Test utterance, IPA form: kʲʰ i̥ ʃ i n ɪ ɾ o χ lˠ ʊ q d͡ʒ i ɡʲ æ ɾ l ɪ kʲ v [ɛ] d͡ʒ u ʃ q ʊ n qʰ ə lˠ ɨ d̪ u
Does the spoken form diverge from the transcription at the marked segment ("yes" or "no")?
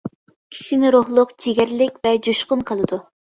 no